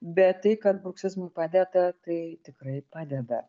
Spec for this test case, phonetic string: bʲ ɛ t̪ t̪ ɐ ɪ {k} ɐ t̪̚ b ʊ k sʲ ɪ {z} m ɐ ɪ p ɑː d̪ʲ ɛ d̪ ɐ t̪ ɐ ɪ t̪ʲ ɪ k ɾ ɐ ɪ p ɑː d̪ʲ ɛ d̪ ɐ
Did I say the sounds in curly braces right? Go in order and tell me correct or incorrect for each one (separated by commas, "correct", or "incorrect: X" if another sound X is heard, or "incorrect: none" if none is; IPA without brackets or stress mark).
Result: correct, correct